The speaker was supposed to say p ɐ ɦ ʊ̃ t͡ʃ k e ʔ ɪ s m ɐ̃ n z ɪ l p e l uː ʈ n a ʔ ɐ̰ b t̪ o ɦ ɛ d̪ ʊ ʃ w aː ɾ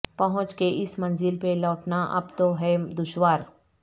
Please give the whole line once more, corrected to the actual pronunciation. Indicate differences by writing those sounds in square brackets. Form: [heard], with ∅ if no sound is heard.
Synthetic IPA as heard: p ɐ ɦ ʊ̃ t͡ʃ k e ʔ ɪ s m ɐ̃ n z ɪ l p e l [ɔː] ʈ n a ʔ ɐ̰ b t̪ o ɦ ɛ d̪ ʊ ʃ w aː ɾ